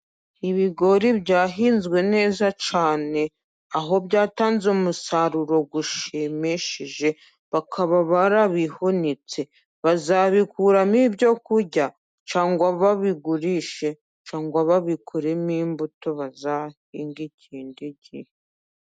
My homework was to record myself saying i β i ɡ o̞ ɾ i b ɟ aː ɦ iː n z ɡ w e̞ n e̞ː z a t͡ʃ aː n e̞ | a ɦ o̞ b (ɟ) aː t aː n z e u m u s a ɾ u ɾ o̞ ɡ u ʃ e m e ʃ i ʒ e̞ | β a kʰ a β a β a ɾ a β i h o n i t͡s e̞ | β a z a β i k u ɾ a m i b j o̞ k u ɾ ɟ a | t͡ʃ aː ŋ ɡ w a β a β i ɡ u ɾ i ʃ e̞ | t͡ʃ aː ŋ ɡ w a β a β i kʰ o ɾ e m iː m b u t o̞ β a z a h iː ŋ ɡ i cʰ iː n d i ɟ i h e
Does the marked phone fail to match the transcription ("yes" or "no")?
no